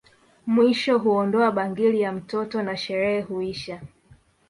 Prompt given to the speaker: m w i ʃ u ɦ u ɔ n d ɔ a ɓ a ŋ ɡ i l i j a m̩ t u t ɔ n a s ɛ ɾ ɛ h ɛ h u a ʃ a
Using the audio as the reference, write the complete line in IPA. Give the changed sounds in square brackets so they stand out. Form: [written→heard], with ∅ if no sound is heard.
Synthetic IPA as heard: m w i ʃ [u→ɔ] ɦ u ɔ n d ɔ a ɓ a ŋ ɡ i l i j a m̩ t [u→ɔ] t ɔ n a [s→ʃ] ɛ ɾ ɛ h ɛ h u [a→i] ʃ a